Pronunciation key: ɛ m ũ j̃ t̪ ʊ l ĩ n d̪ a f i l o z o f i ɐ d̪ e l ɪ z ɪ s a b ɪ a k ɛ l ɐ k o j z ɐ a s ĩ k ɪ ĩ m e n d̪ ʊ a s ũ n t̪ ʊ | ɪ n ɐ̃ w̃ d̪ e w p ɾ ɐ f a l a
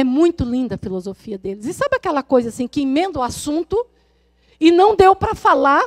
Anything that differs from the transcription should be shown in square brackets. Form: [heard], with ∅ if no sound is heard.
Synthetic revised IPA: ɛ m ũ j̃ t̪ ʊ l ĩ n d̪ [ɐ] f i l o z o f i ɐ d̪ e l ɪ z ɪ s a b ɪ a k ɛ l ɐ k o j z ɐ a s ĩ k ɪ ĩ m [ẽ] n d̪ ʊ a s ũ n t̪ ʊ | ɪ n ɐ̃ w̃ d̪ e w p ɾ ɐ f a l a